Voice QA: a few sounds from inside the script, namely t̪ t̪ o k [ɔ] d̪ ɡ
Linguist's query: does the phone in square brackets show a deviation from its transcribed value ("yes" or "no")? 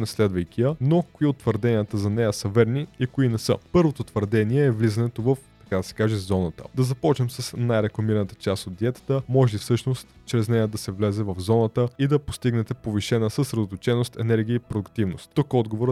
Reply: no